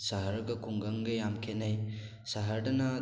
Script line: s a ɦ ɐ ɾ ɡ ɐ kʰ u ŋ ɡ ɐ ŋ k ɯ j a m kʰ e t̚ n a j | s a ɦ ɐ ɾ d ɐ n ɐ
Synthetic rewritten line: s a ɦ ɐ ɾ ɡ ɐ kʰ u ŋ ɡ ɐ ŋ ɡ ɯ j a m kʰ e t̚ n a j | s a ɦ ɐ ɾ d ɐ n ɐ